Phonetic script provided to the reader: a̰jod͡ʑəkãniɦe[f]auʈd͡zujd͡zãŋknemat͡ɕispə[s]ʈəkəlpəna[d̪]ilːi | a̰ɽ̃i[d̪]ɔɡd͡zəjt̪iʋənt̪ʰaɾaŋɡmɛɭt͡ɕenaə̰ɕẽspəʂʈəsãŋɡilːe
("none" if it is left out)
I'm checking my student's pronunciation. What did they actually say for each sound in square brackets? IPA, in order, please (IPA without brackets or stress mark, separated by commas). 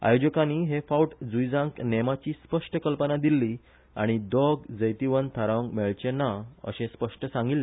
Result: f, ʂ, d̪, d̪